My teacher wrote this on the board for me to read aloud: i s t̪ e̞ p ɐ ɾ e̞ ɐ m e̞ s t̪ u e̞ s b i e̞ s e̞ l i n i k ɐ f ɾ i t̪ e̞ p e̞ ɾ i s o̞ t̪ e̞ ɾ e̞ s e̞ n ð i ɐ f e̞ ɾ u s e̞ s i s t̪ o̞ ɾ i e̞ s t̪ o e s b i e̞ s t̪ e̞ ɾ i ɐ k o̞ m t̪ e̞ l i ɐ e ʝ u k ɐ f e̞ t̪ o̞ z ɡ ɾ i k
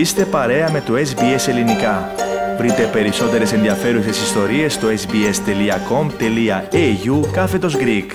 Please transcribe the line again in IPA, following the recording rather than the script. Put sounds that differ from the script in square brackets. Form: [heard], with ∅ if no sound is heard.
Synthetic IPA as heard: i s t̪ e̞ p ɐ ɾ e̞ ɐ m e̞ [∅] t̪ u e̞ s b i e̞ s e̞ l i n i k ɐ [v] ɾ i t̪ e̞ p e̞ ɾ i s o̞ t̪ e̞ ɾ e̞ s e̞ n ð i ɐ f e̞ ɾ u s e̞ s i s t̪ o̞ ɾ i e̞ s t̪ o e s b i e̞ s t̪ e̞ [l] i ɐ k o̞ m t̪ e̞ l i ɐ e ʝ u k ɐ f e̞ t̪ o̞ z ɡ ɾ i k